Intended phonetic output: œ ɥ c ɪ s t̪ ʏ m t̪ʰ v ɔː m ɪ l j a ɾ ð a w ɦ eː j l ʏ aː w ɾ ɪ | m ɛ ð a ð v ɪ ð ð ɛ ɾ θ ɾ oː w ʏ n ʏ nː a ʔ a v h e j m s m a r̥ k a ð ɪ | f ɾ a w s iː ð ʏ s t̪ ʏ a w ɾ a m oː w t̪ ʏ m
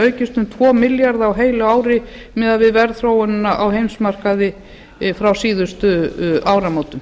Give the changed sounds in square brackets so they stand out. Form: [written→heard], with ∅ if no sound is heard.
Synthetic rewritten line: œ ɥ c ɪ s t̪ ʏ m t̪ʰ v ɔː m ɪ l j a ɾ ð a w ɦ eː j l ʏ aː w ɾ ɪ | m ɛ ð a ð v ɪ ð [ð→v] ɛ ɾ θ ɾ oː w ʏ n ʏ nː a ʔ a [v→w] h e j m s m a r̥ k a ð ɪ | f ɾ a w s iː ð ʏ s t̪ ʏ a w ɾ a m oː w t̪ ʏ m